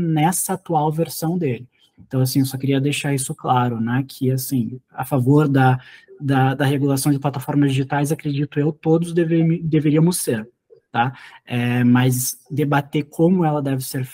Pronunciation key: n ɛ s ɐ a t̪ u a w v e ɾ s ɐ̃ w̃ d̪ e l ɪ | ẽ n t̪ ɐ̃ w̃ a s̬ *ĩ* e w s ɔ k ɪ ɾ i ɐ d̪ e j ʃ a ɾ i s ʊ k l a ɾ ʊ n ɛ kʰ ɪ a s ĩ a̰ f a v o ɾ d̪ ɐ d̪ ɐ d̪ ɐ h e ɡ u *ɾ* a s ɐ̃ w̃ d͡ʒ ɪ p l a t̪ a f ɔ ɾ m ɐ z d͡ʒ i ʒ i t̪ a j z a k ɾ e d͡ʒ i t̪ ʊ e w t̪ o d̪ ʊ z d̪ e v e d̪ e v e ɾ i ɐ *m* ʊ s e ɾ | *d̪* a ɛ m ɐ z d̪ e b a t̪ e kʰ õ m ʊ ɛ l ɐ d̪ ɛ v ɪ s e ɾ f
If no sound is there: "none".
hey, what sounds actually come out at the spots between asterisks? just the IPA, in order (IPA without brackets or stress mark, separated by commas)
ĩ, l, m, t̪